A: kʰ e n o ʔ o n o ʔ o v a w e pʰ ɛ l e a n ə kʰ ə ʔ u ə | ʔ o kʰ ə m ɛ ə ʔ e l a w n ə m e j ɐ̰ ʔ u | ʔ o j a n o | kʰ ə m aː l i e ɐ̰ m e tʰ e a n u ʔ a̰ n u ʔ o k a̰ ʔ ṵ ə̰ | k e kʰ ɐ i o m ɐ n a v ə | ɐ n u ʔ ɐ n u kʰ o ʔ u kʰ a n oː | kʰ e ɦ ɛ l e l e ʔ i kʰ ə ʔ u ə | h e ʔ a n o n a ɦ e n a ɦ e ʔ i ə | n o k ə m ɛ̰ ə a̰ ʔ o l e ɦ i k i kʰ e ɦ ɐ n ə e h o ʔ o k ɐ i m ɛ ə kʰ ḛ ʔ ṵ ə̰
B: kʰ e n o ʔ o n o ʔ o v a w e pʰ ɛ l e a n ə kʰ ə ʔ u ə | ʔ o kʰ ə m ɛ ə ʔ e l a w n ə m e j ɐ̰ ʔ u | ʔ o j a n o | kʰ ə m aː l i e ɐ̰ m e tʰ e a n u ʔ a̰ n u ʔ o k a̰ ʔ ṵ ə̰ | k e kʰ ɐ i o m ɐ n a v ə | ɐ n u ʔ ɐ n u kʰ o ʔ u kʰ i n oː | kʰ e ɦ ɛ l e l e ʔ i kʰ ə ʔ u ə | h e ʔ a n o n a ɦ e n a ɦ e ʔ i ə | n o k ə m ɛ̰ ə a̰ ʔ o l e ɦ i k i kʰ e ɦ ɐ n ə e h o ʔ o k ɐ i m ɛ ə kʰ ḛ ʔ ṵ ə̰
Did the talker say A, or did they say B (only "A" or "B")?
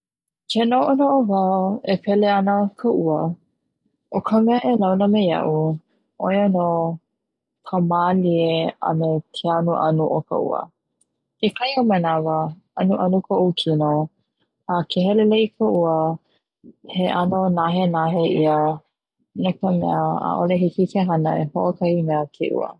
B